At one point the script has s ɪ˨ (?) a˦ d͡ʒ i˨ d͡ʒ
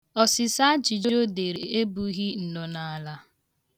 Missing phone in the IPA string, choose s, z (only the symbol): s